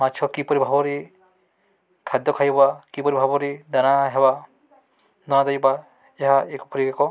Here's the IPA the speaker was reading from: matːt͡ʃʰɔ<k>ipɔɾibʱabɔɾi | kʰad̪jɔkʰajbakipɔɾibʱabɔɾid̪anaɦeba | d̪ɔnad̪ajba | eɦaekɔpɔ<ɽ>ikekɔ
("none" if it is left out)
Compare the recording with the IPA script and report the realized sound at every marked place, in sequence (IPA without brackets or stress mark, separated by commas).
k, ɾ